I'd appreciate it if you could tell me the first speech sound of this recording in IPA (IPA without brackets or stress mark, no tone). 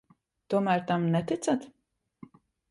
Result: t̪